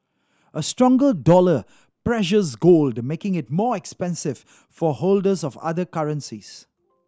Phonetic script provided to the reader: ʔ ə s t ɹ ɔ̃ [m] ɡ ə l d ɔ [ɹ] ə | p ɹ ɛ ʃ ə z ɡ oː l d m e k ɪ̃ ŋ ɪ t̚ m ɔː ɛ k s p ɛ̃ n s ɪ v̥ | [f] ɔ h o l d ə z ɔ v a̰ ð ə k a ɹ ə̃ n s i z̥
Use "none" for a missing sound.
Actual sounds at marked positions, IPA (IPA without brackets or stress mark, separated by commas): ŋ, l, f